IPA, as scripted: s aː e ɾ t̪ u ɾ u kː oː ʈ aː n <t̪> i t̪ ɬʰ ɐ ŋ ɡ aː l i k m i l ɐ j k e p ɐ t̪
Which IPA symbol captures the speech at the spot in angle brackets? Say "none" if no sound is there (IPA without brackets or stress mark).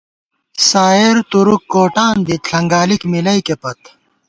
d̪